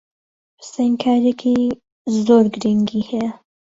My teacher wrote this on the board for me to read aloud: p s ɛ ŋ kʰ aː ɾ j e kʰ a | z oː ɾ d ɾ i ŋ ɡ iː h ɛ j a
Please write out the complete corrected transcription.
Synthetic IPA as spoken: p s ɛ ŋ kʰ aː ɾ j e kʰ i | z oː ɾ ɡ ɾ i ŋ ɡ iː h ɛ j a